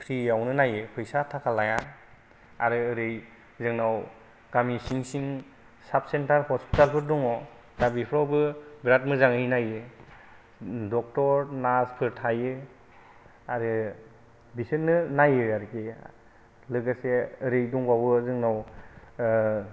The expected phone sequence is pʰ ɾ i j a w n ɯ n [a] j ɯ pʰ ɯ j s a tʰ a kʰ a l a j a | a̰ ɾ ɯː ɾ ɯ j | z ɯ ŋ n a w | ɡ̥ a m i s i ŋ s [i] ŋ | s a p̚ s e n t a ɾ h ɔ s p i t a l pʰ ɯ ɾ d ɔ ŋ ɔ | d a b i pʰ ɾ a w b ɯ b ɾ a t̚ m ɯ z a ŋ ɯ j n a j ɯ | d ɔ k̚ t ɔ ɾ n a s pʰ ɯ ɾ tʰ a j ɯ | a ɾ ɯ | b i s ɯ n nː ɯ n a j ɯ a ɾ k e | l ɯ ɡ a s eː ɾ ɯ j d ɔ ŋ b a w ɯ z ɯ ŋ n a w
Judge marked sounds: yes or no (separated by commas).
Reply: yes, yes